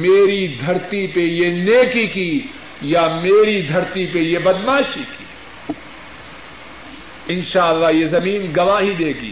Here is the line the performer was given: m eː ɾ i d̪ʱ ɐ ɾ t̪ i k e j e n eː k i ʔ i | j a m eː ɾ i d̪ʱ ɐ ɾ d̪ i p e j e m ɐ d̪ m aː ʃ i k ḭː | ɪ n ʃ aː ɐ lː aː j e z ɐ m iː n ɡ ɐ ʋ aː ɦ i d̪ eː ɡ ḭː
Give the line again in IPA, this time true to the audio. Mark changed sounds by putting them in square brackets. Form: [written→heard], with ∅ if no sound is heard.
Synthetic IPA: m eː ɾ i d̪ʱ ɐ ɾ t̪ i [k→p] e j e n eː k i [ʔ→k] i | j a m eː ɾ i d̪ʱ ɐ ɾ [d̪→t̪] i p e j e [m→b] ɐ d̪ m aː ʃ i k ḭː | ɪ n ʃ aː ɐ lː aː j e z ɐ m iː n ɡ ɐ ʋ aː ɦ i d̪ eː ɡ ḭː